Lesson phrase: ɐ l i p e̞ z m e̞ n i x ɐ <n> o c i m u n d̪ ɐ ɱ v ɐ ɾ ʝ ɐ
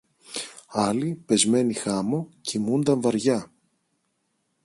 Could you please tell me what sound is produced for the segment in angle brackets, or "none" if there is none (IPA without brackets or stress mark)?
m